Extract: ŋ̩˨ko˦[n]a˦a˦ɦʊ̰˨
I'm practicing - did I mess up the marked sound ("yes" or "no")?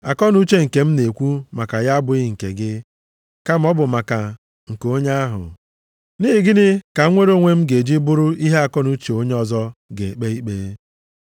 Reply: yes